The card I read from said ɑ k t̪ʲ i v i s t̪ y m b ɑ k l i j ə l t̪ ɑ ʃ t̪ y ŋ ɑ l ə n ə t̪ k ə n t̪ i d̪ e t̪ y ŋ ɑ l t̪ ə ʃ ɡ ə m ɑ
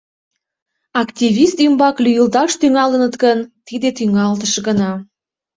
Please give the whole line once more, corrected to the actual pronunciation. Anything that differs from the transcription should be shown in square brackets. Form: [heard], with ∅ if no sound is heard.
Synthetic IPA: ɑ k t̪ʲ i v i s t̪ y m b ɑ k l [y] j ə l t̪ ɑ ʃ t̪ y ŋ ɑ l ə n ə t̪ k ə n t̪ i d̪ e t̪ y ŋ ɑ l t̪ ə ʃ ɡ ə [n] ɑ